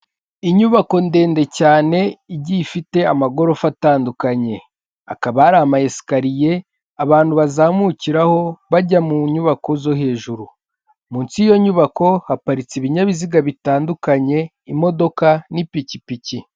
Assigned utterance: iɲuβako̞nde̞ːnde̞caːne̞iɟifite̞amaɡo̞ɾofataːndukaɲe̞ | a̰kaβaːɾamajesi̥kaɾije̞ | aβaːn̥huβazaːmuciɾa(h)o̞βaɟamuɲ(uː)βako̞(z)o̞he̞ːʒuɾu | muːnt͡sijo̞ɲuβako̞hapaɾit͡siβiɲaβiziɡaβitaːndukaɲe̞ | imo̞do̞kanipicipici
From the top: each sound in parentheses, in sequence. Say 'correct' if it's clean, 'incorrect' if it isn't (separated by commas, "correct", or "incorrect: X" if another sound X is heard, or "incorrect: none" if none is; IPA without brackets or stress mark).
correct, incorrect: u, correct